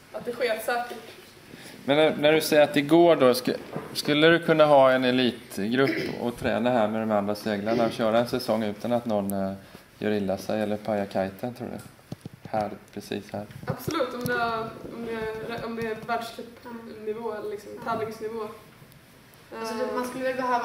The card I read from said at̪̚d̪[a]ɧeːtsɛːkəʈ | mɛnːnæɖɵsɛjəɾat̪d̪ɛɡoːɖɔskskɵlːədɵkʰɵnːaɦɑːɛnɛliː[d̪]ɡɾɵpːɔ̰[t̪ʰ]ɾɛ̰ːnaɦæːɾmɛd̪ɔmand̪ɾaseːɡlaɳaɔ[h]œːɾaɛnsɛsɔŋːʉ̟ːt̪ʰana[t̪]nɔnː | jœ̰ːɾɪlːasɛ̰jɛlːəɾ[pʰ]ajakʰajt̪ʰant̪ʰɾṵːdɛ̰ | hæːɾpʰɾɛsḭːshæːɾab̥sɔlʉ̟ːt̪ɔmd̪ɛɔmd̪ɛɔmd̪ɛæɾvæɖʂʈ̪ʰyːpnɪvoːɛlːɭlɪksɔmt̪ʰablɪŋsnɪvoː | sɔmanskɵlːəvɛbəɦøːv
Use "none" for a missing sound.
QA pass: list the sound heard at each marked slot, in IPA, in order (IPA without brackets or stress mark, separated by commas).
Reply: ɛ, t̪, t̪ʰ, ɕ, t̪, pʰ